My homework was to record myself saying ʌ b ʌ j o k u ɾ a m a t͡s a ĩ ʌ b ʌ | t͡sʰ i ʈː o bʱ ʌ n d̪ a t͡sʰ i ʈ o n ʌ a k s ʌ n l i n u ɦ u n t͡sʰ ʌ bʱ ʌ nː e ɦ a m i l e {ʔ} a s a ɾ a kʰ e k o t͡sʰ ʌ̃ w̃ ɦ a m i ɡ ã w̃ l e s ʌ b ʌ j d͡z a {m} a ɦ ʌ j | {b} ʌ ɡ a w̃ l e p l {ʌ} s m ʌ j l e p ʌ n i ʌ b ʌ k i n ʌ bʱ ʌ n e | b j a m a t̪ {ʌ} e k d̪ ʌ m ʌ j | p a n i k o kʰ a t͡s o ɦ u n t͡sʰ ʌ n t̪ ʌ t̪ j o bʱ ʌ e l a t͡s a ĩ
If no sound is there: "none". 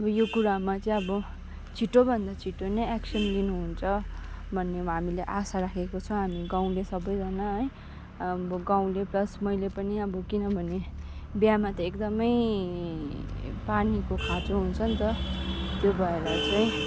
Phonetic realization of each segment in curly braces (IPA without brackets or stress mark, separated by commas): ʔ, n, b, ʌ, ʌ